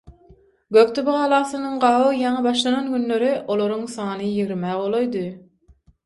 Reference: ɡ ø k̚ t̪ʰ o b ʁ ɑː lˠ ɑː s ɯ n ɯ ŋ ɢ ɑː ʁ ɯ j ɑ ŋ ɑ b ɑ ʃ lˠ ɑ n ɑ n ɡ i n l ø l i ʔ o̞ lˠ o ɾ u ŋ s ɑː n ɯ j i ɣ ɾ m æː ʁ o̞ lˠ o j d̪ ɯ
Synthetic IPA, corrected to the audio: ɡ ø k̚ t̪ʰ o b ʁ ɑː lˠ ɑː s ɯ n ɯ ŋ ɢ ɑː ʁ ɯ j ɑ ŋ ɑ b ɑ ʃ lˠ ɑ n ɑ n ɡ y n l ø ɾ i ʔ o̞ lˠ o ɾ u ŋ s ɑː n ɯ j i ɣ ɾ m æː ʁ o̞ lˠ o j d̪ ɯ